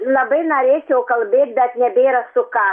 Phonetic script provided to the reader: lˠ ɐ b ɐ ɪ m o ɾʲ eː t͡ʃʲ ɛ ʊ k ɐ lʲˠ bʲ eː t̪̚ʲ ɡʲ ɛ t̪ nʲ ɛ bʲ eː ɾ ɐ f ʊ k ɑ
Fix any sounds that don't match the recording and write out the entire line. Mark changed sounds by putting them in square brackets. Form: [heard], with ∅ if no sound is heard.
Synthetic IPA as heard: lˠ ɐ b ɐ ɪ [n] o ɾʲ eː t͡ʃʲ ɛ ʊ k ɐ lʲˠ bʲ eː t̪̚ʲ [bʲ] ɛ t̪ nʲ ɛ bʲ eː ɾ ɐ [s] ʊ k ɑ

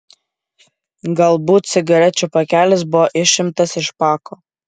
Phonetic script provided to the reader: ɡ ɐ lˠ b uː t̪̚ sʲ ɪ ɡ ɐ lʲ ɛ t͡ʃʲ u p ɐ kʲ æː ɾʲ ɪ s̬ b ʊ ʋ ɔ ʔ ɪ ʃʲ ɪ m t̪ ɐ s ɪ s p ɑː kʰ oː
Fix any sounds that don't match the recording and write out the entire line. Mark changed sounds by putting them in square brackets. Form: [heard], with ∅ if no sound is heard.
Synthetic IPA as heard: ɡ ɐ lˠ b uː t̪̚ sʲ ɪ ɡ ɐ [ɾʲ] ɛ t͡ʃʲ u p ɐ kʲ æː [lʲ] ɪ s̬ b ʊ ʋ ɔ ʔ ɪ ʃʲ ɪ m t̪ ɐ s ɪ [ʃ] p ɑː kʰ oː

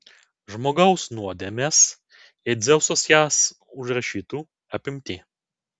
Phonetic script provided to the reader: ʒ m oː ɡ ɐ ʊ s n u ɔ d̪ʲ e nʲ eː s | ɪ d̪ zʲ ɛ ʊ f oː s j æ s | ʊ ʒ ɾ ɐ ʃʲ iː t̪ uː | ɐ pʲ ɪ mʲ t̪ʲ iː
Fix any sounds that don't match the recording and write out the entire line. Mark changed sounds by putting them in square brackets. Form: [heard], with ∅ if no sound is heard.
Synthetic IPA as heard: ʒ m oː ɡ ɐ ʊ s n u ɔ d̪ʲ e [mʲ] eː s | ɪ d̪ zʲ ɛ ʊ [s] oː s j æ s | ʊ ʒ ɾ ɐ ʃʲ iː t̪ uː | ɐ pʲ ɪ mʲ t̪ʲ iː

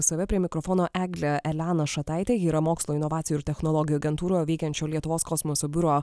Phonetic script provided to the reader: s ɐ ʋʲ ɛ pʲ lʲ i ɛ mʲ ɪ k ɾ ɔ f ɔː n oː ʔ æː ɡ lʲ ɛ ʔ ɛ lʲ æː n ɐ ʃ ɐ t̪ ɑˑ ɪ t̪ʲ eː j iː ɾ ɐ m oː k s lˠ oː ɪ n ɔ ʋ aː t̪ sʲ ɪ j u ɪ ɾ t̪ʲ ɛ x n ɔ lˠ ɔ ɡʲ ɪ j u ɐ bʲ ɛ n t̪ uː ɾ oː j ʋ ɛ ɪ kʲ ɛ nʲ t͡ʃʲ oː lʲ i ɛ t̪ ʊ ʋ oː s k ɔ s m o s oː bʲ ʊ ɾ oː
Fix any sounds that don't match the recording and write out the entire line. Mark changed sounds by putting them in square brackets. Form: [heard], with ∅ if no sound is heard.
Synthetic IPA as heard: s ɐ ʋʲ ɛ pʲ [ɾʲ] i ɛ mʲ ɪ k ɾ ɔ f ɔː n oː ʔ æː ɡ lʲ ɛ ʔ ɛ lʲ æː n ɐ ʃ ɐ t̪ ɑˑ ɪ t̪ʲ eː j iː ɾ ɐ m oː k s lˠ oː ɪ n ɔ ʋ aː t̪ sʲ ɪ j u ɪ ɾ t̪ʲ ɛ x n ɔ lˠ ɔ ɡʲ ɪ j u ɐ [ɡʲ] ɛ n t̪ uː ɾ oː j ʋ ɛ ɪ kʲ ɛ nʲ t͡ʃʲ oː lʲ i ɛ t̪ ʊ ʋ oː s k ɔ s m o s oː bʲ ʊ ɾ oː

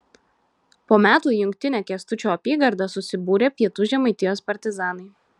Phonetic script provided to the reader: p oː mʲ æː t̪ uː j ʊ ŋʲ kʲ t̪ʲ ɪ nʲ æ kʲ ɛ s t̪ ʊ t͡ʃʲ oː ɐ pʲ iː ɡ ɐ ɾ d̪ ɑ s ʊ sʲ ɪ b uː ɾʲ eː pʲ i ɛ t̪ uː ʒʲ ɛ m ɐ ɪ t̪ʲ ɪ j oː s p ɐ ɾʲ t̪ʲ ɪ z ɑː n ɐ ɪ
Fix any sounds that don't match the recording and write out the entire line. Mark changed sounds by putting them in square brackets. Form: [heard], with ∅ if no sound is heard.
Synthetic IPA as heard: p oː mʲ æː t̪ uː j ʊ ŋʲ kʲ t̪ʲ ɪ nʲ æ kʲ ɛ s t̪ ʊ t͡ʃʲ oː ɐ pʲ iː ɡ ɐ ɾ d̪ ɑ s ʊ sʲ ɪ b uː ɾʲ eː pʲ i ɛ t̪ uː ʒʲ ɛ m ɐ ɪ t̪ʲ ɪ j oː s p ɐ ɾʲ t̪ʲ ɪ z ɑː n ɐ ɪ

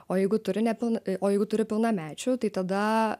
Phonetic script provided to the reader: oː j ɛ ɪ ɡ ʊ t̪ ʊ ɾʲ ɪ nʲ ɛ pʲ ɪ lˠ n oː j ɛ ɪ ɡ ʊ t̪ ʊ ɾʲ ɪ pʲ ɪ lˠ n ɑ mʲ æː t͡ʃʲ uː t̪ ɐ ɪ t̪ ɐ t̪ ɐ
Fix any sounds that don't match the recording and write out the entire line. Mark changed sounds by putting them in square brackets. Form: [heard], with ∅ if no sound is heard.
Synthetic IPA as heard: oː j ɛ ɪ ɡ ʊ t̪ ʊ ɾʲ ɪ nʲ ɛ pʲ ɪ lˠ n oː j ɛ ɪ ɡ ʊ t̪ ʊ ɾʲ ɪ pʲ ɪ lˠ n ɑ mʲ æː t͡ʃʲ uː t̪ ɐ ɪ t̪ ɐ [d̪] ɐ

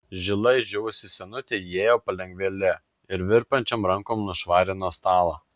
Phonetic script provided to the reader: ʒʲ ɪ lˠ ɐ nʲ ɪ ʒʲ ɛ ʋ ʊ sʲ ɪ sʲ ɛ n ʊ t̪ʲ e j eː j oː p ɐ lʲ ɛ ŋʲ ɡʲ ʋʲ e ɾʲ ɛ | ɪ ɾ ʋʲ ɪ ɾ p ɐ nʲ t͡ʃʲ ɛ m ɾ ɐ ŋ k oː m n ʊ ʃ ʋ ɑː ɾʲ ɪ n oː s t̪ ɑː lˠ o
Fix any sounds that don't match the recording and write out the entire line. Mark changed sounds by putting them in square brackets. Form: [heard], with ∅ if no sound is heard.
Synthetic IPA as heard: ʒʲ ɪ lˠ ɐ [∅] ɪ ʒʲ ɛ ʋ ʊ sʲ ɪ sʲ ɛ n ʊ t̪ʲ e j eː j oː p ɐ lʲ ɛ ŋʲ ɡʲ ʋʲ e [lʲ] ɛ | ɪ ɾ ʋʲ ɪ ɾ p ɐ nʲ t͡ʃʲ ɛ m ɾ ɐ ŋ k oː m n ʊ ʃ ʋ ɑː ɾʲ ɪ n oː s t̪ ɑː lˠ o

